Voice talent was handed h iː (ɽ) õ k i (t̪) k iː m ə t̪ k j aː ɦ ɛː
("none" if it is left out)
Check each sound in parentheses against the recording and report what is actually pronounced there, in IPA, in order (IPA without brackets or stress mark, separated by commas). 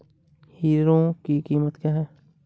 ɾ, none